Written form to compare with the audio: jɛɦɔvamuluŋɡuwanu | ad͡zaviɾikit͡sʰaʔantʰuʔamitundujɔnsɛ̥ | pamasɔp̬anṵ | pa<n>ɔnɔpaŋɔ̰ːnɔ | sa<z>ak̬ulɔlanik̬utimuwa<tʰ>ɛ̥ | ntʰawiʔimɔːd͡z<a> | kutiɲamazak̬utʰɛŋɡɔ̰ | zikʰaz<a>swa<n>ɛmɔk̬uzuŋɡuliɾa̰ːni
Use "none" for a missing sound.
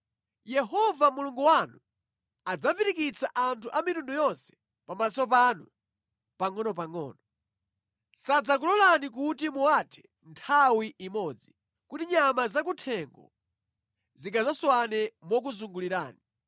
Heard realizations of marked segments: ŋ, d͡z, tʰ, i, a, n

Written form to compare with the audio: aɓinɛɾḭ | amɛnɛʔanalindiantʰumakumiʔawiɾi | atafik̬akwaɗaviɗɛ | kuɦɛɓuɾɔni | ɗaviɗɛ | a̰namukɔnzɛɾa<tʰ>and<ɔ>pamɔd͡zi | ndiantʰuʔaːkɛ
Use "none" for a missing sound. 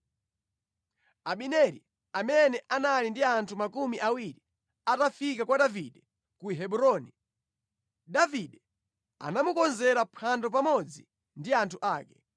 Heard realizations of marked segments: pʰ, ɔ

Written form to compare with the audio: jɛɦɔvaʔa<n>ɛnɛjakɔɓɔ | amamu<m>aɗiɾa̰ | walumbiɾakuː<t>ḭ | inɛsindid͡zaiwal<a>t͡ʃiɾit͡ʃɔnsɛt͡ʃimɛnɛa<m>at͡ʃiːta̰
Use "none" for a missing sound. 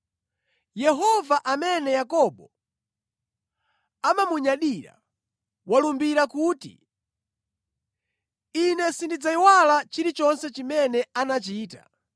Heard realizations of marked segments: m, ɲ, t, a, n

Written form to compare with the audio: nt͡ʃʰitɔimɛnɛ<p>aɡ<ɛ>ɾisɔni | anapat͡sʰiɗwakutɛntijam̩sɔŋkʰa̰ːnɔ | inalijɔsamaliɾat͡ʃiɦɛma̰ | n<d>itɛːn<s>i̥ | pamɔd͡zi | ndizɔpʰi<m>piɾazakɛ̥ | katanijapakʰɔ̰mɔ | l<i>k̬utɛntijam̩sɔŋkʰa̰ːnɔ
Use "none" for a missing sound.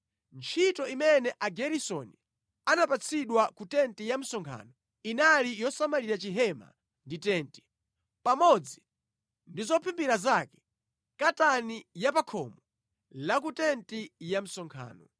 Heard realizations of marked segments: ʔ, ɛ, d, t, m, a

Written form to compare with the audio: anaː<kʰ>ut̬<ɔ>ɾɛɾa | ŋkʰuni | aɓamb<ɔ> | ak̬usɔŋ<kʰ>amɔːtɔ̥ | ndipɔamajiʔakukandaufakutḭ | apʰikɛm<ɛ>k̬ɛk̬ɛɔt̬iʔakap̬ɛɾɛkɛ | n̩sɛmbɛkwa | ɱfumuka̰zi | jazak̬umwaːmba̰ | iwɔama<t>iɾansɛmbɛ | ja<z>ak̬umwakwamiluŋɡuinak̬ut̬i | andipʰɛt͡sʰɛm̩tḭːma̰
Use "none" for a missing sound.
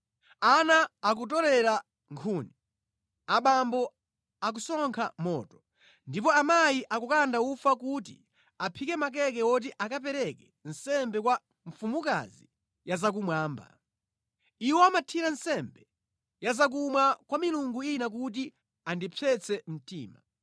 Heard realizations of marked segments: k, ɔ, ɔ, kʰ, a, tʰ, z

